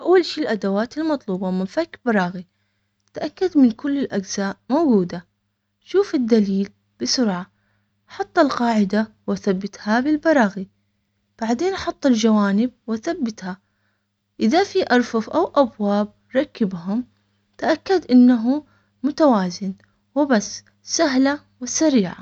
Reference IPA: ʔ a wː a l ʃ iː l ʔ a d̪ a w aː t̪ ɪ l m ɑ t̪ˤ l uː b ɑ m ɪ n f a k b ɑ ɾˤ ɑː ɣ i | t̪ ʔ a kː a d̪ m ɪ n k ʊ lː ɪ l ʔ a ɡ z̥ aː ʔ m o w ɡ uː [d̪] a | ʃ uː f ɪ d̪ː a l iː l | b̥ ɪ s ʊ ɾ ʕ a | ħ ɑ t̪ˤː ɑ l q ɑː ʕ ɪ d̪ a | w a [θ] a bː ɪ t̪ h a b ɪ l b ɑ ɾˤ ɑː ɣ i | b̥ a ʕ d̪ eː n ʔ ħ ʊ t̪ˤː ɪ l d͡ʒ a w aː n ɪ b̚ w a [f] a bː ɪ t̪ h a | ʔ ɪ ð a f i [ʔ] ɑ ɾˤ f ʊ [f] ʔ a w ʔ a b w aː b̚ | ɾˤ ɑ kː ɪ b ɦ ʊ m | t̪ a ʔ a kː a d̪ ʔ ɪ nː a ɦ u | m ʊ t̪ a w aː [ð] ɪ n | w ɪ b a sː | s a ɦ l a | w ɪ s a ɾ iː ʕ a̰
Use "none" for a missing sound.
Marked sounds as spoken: d̪, θ, θ, ʔ, f, z

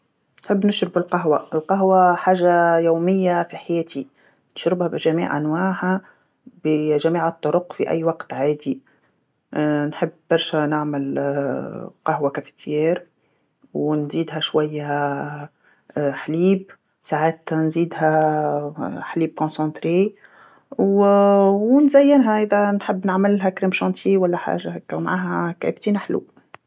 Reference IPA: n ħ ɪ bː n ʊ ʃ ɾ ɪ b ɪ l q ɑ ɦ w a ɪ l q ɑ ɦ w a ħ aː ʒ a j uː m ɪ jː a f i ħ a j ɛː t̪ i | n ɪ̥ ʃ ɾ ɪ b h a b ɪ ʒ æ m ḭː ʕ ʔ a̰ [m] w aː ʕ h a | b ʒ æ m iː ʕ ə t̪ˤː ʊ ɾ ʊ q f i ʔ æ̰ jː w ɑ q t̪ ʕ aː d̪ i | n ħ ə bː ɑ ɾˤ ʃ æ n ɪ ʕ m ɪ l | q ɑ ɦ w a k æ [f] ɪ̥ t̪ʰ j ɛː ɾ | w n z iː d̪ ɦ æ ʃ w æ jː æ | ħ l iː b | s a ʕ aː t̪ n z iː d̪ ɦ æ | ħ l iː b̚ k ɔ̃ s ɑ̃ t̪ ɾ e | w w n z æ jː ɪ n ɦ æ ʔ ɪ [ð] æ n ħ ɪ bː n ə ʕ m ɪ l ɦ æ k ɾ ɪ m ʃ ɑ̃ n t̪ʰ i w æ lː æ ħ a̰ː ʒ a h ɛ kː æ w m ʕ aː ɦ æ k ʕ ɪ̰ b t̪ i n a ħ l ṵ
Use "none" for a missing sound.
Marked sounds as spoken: n, f, ð

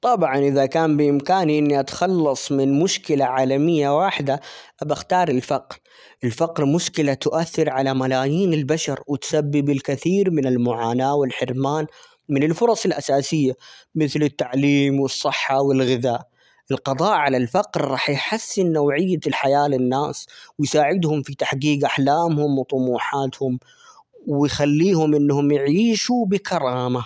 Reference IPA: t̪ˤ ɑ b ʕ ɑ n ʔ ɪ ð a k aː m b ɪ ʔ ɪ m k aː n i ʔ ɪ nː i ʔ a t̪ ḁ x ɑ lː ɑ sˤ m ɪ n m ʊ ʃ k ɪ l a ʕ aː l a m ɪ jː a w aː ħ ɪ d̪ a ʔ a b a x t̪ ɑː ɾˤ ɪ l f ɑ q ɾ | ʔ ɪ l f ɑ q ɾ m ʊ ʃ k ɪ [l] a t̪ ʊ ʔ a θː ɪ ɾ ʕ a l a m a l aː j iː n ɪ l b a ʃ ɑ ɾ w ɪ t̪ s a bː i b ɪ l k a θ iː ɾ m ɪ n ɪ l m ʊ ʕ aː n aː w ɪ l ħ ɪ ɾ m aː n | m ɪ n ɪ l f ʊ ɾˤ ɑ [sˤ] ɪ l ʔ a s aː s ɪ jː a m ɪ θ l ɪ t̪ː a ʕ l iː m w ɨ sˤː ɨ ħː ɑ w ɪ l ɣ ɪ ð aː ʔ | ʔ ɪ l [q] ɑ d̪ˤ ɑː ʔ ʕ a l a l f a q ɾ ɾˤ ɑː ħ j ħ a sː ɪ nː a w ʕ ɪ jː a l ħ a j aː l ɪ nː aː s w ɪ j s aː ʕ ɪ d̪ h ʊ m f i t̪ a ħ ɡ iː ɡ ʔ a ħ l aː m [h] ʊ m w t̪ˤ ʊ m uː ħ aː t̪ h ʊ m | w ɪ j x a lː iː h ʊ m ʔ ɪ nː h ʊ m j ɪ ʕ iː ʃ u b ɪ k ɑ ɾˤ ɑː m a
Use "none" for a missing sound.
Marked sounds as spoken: l, sˤ, q, h

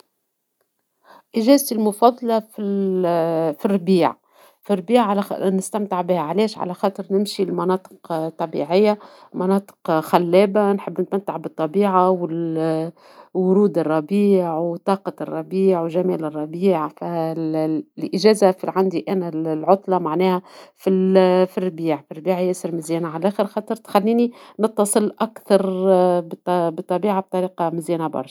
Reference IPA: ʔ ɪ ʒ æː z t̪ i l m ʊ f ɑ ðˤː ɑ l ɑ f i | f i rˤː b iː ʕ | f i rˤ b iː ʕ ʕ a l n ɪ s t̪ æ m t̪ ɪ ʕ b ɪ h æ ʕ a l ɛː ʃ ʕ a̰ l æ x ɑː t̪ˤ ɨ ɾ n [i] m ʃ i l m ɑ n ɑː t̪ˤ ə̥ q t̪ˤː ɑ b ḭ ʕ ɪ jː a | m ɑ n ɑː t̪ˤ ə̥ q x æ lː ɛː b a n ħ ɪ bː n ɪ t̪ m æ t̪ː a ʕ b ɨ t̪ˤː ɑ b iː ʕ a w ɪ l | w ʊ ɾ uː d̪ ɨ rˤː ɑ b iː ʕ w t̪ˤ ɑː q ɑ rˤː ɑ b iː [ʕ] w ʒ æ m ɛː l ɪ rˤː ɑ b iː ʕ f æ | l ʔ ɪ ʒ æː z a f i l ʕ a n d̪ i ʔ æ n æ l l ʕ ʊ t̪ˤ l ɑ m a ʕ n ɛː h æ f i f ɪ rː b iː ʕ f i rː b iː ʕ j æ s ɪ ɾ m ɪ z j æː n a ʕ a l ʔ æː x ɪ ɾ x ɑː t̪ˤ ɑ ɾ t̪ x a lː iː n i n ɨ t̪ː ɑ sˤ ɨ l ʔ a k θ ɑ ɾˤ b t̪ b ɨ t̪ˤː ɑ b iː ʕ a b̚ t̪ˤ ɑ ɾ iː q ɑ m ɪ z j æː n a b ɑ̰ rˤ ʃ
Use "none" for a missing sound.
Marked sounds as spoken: ɪ, ʕ

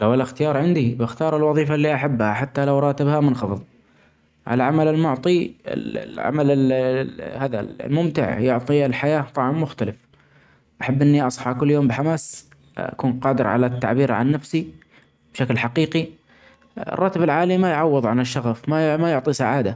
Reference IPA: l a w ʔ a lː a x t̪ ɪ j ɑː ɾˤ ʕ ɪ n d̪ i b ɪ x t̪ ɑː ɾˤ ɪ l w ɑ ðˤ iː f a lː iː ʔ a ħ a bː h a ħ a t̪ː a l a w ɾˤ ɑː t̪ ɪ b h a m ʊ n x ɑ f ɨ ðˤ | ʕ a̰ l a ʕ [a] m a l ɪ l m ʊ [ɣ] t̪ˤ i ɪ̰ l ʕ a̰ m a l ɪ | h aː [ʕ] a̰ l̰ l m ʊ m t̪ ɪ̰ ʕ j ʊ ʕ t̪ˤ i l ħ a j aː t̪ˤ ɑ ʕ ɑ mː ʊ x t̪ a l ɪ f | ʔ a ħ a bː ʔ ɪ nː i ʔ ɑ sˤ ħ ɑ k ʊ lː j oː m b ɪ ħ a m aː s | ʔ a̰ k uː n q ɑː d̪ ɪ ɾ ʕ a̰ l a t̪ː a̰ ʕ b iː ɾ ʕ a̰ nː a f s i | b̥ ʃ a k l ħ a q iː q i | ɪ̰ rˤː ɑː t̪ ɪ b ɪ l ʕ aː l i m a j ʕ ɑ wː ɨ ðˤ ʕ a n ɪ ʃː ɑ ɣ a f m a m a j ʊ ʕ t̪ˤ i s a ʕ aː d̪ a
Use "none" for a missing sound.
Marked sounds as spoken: a, ʕ, ð

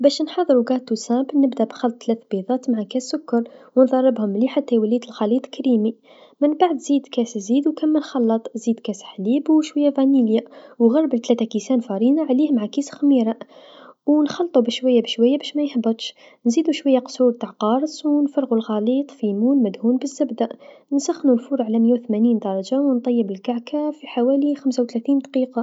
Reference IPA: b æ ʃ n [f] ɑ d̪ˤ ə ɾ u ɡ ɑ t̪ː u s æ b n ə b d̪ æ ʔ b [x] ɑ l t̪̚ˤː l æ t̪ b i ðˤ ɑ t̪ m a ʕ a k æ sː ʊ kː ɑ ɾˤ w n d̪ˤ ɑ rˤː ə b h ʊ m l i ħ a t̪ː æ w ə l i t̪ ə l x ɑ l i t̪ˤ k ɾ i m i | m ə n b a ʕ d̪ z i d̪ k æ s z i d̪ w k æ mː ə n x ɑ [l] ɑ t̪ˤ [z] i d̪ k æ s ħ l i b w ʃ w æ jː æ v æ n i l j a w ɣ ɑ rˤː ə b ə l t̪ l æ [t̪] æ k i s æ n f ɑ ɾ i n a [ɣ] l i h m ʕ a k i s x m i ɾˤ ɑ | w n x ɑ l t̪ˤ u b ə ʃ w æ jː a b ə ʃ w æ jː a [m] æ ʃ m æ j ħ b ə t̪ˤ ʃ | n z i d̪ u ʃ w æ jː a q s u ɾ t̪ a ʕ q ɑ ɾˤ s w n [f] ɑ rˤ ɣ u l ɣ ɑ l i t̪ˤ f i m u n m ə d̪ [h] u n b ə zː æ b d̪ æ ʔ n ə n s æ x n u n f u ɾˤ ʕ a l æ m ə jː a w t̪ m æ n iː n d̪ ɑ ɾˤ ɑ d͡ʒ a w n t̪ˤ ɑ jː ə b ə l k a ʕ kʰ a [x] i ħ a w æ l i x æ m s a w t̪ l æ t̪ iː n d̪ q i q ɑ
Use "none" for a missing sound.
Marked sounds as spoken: ħ, x, lː, z, t̪, ʕ, b, f, h, f

